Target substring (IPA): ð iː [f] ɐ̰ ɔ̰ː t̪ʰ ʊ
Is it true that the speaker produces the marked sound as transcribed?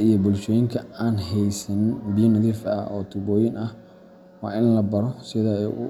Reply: yes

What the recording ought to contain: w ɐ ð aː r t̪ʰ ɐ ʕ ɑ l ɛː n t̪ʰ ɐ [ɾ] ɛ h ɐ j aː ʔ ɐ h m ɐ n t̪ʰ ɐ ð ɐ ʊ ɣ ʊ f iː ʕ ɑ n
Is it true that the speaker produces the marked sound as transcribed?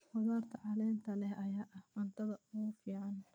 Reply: no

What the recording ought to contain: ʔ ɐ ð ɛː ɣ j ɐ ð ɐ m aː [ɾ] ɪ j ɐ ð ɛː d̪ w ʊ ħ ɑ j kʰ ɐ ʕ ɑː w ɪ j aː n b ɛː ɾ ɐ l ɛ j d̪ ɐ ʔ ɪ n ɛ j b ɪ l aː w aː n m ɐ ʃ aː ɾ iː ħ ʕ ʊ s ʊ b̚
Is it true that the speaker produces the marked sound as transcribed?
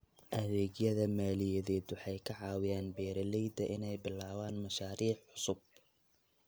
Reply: no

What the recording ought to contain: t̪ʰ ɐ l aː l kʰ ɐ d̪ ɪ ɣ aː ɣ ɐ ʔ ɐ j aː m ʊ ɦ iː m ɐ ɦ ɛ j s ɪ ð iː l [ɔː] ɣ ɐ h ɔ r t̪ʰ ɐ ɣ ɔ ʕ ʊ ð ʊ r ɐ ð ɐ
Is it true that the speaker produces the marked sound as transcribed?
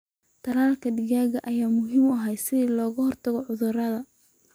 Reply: yes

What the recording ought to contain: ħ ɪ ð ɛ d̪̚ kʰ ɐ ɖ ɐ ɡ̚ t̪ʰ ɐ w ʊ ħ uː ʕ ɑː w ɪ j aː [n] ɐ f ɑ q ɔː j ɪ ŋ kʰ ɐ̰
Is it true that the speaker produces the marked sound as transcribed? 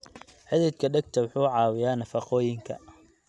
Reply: yes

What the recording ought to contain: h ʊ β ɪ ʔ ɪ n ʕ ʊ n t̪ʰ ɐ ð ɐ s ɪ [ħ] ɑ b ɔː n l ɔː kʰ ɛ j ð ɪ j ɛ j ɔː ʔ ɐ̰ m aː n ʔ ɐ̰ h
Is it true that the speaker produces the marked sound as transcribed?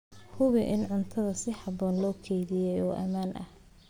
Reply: yes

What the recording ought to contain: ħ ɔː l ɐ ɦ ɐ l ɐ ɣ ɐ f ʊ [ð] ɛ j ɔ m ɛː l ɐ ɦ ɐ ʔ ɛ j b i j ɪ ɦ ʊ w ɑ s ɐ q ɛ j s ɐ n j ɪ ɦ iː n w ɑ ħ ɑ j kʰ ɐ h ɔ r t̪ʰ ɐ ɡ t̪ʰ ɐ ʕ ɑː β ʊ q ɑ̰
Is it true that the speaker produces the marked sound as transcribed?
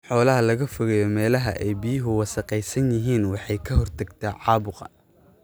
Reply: no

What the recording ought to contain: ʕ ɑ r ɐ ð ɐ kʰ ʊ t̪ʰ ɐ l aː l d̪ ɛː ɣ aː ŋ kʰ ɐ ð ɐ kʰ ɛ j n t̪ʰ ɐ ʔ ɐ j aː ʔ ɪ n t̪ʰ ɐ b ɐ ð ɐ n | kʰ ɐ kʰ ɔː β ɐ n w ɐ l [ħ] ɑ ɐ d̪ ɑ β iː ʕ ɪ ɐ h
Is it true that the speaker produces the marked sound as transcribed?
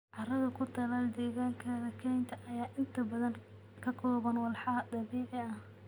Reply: yes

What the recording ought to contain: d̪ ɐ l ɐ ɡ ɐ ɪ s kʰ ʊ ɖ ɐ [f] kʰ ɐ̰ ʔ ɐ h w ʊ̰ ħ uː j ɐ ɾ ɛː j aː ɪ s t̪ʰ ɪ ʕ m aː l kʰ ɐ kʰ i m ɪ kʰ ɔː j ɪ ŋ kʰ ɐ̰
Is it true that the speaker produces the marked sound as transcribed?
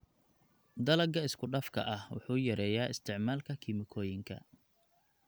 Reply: yes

